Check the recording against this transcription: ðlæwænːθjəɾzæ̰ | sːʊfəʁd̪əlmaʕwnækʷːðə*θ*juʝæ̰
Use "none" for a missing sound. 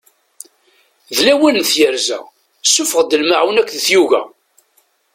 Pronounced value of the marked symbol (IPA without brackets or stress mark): θ